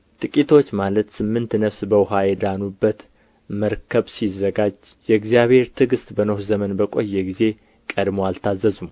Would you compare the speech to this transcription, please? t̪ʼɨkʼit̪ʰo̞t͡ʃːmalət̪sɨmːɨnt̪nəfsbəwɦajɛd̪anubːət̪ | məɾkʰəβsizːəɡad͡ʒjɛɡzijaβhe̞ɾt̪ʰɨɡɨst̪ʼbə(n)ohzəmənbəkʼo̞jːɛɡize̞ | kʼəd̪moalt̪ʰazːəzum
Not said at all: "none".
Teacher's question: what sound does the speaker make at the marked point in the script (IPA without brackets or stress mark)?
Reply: n